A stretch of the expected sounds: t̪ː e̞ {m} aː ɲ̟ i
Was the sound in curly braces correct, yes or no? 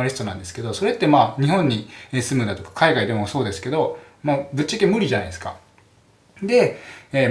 yes